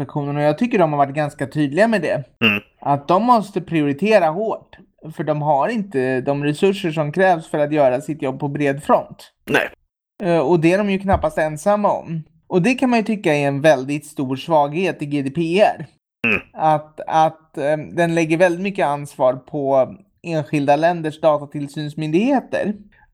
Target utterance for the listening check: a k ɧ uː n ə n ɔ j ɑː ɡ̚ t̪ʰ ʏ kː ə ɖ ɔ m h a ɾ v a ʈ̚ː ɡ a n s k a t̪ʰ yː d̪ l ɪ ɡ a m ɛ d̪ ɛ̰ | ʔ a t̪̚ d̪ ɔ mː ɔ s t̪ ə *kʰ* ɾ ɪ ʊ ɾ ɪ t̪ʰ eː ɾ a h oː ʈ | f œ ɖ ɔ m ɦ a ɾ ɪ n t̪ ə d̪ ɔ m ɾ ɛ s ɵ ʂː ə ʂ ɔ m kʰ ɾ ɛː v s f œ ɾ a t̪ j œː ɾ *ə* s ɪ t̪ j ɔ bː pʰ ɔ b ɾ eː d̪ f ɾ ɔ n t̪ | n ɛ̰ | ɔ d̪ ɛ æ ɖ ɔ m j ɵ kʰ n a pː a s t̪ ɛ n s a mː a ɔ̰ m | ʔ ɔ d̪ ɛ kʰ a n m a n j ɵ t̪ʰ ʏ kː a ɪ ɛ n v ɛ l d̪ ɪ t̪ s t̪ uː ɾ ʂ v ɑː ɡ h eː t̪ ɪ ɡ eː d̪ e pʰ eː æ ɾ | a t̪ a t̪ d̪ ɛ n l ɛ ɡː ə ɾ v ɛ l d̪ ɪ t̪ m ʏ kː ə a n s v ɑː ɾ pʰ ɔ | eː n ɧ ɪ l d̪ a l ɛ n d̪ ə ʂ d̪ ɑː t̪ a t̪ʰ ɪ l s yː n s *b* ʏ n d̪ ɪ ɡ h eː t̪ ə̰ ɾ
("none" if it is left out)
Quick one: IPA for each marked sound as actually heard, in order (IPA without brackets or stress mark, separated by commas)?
pʰ, a, m